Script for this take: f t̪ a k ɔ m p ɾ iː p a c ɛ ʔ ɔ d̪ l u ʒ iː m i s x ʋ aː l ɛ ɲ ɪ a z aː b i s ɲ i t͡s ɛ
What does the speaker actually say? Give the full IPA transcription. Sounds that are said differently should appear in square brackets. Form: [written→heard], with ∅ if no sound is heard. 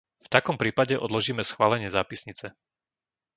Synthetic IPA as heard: f t̪ a k ɔ m p ɾ iː p a [c→ɟ] ɛ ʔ ɔ d̪ l [u→ɔ] ʒ iː m [i→ɛ] s x ʋ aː l ɛ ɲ ɪ [a→ɛ] z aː [b→p] i s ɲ i t͡s ɛ